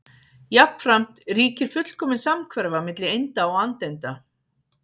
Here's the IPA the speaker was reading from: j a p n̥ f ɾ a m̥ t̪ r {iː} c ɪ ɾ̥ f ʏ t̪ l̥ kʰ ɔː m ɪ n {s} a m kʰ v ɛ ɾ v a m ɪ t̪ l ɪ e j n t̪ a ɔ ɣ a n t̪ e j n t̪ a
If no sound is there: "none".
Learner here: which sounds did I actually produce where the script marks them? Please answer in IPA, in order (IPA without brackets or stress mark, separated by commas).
iː, s